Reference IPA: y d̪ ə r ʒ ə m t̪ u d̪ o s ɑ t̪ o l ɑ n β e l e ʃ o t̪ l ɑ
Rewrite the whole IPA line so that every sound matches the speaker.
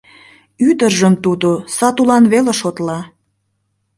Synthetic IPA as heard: y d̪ ə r ʒ ə m t̪ u d̪ o s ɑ t̪ u l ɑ n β e l e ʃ o t̪ l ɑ